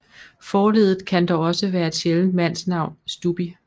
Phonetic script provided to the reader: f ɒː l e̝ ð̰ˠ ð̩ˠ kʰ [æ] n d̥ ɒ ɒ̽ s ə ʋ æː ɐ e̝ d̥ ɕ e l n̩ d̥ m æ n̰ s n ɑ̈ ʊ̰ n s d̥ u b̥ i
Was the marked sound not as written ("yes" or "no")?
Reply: no